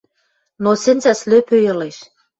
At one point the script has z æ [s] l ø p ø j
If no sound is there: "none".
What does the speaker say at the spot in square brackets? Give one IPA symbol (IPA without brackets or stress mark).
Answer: s